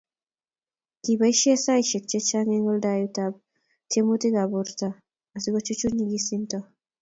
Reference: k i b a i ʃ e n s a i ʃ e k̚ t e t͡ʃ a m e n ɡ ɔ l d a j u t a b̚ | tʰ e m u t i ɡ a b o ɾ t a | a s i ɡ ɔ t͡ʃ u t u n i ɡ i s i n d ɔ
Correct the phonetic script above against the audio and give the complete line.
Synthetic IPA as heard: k i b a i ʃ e s a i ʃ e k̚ t͡ʃ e t͡ʃ a ŋ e ŋ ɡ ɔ l d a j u t a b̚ | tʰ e m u t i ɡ a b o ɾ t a | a s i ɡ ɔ t͡ʃ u t͡ʃ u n i ɡ i s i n t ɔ